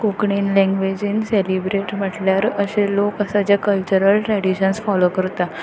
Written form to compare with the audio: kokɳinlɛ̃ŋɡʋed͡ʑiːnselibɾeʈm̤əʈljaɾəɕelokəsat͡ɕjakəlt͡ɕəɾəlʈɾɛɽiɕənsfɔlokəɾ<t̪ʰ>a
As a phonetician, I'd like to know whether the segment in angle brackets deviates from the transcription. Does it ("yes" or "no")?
yes